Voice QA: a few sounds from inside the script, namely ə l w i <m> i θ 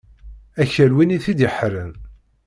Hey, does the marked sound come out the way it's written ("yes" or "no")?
no